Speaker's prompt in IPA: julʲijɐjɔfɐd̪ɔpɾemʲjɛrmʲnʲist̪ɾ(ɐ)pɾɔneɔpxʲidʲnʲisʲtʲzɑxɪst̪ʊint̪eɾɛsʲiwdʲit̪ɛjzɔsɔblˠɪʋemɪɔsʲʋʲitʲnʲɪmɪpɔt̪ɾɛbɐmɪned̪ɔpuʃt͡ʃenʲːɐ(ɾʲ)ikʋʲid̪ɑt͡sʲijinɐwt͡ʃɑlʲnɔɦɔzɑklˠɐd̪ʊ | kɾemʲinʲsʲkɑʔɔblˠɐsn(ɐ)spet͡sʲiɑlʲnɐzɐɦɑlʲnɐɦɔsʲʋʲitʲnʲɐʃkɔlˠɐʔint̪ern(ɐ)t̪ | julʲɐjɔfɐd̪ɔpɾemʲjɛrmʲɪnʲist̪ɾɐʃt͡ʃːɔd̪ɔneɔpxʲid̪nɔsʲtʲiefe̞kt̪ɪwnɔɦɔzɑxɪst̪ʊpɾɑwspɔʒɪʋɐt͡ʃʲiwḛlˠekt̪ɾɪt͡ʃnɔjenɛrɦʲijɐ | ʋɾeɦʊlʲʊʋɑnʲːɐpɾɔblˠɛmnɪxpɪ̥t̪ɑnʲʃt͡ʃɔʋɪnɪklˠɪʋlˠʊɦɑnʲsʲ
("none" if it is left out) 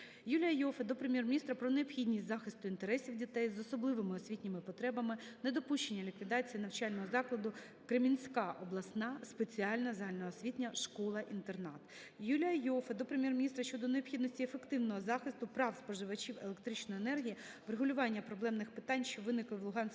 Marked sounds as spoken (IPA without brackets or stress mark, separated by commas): ɐ, lʲ, ɑ, ɑ